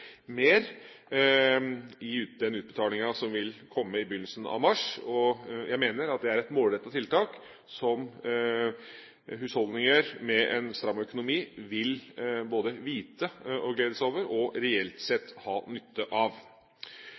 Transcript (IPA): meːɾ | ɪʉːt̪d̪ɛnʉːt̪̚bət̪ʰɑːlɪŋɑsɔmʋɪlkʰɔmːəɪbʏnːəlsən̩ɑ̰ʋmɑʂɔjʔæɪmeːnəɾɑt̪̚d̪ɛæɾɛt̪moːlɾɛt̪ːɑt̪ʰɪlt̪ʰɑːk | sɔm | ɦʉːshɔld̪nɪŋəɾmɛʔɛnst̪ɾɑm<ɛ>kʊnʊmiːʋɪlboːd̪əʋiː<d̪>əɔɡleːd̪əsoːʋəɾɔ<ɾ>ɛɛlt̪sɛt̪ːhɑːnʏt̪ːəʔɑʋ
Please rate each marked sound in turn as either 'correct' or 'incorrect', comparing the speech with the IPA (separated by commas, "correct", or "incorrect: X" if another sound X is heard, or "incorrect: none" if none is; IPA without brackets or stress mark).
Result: incorrect: œ, incorrect: t̪, correct